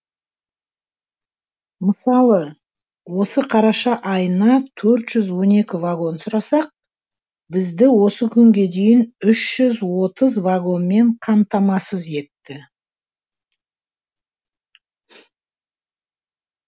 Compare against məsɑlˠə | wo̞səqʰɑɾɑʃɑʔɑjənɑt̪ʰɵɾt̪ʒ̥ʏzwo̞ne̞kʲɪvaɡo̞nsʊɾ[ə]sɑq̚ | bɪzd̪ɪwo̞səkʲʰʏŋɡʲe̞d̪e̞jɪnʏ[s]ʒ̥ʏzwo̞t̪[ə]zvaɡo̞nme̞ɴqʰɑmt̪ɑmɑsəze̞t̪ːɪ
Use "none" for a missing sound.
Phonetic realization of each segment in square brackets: ɑ, ʃ, ə

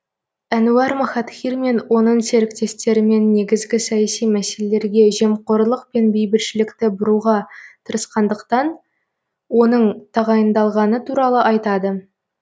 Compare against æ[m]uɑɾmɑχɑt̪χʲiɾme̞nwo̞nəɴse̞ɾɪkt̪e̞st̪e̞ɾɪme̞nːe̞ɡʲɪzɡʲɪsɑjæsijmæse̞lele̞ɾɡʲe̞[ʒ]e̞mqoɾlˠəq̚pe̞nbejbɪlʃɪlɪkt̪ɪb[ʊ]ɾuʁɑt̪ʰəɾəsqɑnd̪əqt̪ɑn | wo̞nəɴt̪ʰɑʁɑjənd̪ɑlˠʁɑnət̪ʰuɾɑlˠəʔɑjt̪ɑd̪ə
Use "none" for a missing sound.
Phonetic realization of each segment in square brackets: n, ʒ, ʊ

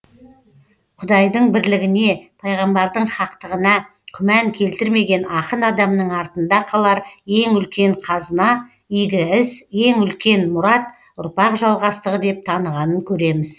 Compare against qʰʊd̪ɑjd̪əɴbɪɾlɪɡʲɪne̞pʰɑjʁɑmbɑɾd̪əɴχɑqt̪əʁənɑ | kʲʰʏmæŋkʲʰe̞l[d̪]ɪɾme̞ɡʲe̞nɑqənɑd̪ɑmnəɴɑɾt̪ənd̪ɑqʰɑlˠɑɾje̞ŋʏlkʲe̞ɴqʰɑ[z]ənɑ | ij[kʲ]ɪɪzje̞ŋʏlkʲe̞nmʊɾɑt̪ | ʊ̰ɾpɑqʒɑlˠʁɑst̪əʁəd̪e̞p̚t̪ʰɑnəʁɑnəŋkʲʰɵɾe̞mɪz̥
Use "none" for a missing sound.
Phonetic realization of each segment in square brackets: t̪, z, ɡʲ

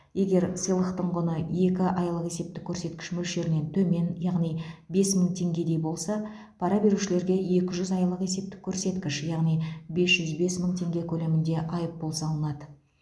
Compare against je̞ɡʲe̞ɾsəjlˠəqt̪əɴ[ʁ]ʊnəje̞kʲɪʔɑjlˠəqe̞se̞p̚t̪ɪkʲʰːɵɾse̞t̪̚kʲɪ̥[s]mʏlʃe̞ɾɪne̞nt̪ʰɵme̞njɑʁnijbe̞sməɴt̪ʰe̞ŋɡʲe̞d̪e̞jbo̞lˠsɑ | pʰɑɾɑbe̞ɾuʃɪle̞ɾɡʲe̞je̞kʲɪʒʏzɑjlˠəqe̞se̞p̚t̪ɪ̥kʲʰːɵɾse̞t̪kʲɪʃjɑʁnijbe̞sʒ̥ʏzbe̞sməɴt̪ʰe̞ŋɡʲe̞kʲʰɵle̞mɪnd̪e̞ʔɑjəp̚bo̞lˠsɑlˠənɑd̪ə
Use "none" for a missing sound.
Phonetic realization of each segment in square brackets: ʁ, ʃ

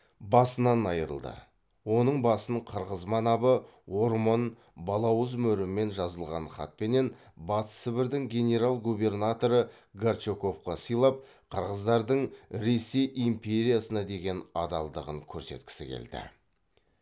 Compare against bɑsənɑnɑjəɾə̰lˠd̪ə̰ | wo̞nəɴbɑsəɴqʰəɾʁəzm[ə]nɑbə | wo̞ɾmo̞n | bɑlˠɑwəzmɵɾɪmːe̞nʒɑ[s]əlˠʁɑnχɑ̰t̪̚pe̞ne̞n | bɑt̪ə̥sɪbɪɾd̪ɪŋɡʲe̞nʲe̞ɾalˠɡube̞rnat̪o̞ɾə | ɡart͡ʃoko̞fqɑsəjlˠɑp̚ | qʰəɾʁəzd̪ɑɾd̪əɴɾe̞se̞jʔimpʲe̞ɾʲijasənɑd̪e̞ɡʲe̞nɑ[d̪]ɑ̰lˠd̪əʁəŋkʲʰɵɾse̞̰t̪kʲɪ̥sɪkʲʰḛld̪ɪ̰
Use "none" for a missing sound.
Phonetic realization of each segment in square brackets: ɑ, z, d̪

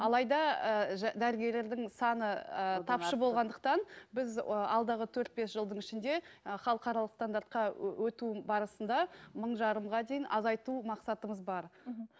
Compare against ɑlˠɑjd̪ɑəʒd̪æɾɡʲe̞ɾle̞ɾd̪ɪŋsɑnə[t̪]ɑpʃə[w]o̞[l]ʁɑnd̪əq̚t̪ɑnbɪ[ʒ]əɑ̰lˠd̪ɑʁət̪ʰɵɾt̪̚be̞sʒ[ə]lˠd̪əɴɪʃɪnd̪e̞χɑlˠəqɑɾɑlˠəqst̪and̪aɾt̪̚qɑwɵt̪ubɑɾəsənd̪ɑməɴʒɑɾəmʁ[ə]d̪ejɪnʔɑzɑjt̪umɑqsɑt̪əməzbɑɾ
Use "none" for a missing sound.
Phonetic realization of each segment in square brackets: t̪ʰ, b, l, z, ə, ɑ

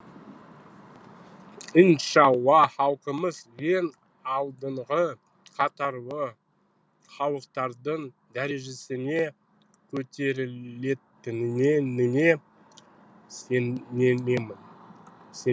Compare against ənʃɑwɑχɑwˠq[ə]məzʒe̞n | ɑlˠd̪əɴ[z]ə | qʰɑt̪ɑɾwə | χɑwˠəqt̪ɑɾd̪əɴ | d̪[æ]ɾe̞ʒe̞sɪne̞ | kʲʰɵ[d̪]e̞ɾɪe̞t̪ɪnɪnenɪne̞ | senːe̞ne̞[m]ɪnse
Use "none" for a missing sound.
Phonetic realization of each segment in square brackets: ə, ʁ, æ, t̪, m

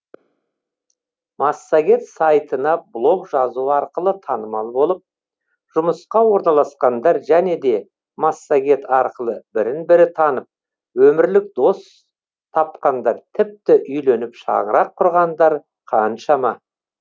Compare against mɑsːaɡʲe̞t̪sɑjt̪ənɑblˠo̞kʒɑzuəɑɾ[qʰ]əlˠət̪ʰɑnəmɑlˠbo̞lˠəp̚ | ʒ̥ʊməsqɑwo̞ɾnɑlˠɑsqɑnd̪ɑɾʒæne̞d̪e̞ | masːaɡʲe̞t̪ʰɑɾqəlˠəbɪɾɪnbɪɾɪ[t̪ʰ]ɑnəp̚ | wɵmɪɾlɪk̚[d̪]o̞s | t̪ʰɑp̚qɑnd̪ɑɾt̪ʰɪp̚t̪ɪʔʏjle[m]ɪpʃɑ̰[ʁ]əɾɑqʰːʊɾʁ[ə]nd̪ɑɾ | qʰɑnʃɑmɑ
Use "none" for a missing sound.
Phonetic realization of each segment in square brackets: q, t̪ʰ, d̪, n, ʁ, ɑ

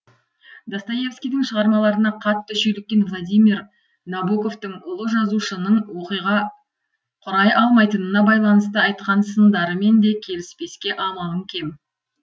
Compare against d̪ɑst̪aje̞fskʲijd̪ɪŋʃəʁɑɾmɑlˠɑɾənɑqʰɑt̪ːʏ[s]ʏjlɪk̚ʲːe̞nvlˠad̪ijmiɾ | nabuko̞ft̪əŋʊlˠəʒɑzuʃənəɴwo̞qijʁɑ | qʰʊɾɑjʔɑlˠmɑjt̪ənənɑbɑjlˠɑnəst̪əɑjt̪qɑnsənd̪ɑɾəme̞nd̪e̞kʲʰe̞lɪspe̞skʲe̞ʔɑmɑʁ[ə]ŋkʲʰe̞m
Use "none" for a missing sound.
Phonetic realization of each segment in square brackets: ʃ, ə

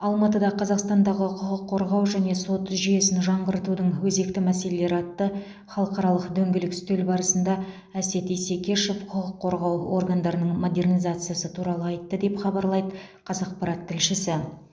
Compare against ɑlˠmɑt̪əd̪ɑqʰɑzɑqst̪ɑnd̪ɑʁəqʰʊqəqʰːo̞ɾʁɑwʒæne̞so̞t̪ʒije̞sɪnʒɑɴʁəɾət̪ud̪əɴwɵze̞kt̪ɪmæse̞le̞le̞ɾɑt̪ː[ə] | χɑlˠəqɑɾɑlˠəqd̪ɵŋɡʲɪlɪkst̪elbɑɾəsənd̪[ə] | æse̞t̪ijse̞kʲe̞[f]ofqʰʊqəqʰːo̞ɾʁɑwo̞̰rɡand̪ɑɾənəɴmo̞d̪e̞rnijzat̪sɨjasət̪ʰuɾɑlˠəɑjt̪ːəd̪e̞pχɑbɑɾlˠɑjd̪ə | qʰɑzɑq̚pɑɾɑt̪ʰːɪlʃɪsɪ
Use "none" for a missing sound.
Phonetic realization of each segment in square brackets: ə, ɑ, ʃ

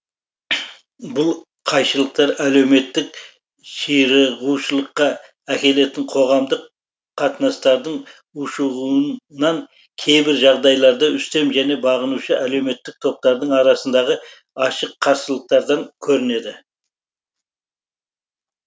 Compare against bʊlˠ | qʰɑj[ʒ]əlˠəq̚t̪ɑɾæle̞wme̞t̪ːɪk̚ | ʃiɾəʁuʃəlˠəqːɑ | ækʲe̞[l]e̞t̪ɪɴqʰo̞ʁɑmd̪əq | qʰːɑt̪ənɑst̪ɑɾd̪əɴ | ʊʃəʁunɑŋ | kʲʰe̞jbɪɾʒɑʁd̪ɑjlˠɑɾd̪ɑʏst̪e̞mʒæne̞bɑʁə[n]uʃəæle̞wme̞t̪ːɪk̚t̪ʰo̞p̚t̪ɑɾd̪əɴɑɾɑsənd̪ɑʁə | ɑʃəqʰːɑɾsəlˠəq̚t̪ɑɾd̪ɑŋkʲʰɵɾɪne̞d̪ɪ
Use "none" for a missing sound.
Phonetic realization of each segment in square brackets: ʃ, l, n

